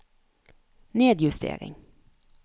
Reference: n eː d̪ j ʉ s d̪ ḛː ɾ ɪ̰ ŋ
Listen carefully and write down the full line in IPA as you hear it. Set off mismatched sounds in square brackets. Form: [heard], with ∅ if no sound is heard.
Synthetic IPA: n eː d̪ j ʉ s [t̪] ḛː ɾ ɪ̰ ŋ